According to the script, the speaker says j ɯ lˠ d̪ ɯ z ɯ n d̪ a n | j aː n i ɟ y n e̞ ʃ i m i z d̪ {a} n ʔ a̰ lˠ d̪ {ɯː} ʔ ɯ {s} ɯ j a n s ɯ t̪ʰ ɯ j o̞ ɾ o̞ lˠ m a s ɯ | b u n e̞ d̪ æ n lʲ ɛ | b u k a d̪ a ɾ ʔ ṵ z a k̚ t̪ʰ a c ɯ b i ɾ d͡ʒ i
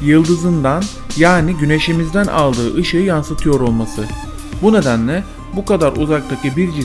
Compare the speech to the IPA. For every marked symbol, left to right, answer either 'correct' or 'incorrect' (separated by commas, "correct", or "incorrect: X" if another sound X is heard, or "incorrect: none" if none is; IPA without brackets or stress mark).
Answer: incorrect: æ, correct, incorrect: ʃ